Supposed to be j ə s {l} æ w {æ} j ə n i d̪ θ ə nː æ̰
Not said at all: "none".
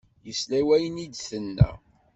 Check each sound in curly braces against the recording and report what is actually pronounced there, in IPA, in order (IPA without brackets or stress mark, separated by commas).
l, æ